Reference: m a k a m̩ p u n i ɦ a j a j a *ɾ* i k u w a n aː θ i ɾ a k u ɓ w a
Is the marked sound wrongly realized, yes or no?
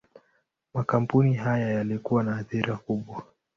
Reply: yes